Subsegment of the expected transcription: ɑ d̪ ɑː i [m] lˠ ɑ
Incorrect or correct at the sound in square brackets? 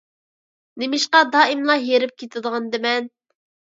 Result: correct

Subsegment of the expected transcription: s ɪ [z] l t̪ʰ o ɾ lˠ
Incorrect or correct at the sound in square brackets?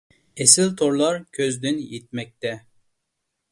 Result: incorrect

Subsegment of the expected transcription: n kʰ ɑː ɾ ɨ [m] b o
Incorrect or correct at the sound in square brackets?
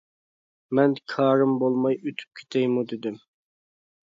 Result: correct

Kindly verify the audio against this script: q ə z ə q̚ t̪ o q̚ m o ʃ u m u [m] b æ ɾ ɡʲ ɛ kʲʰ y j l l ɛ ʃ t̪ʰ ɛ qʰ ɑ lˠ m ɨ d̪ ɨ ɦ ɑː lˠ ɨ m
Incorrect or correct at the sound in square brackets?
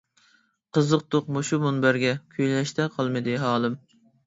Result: incorrect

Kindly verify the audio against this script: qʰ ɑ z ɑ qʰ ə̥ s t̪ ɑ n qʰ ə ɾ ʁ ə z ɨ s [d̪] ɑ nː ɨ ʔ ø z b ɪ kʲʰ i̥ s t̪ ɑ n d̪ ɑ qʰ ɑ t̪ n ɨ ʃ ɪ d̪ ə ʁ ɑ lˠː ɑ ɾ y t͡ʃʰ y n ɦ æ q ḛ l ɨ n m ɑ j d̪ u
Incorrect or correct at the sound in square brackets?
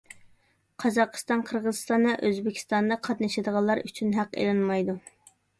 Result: incorrect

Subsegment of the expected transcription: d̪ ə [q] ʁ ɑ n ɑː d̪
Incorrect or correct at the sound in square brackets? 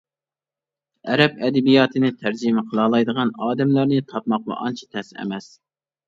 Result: incorrect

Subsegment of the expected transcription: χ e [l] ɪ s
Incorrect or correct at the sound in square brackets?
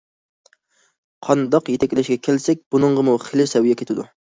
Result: correct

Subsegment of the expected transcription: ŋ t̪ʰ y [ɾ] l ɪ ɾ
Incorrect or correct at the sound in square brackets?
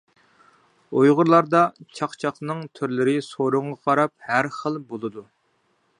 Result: correct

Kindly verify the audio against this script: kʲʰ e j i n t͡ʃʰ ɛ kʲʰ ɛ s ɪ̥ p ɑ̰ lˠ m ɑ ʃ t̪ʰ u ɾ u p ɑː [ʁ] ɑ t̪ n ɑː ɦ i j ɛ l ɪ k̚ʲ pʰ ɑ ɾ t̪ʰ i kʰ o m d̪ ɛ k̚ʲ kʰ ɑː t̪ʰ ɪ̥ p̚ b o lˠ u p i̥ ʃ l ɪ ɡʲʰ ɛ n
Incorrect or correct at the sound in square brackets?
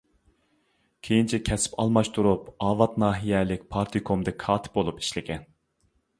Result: incorrect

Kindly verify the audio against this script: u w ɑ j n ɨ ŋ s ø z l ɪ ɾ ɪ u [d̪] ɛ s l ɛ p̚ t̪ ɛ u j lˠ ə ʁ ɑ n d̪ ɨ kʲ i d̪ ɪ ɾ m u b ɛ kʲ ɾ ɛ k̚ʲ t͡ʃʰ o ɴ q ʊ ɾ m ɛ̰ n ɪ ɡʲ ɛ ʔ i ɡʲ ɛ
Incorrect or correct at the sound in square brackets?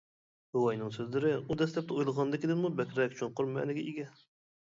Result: correct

